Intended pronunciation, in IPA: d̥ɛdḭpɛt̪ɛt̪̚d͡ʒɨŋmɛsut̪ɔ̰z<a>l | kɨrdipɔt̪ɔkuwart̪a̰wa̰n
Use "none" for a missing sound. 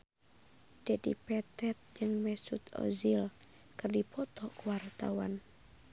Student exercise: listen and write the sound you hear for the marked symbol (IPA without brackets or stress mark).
i